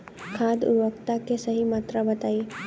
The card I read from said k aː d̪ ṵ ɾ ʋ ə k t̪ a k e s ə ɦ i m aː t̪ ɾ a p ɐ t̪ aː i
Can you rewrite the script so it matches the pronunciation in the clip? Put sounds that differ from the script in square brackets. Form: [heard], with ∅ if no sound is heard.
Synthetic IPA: [kʰ] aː d̪ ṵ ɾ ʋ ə k t̪ a k e s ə ɦ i m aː t̪ ɾ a [b] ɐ t̪ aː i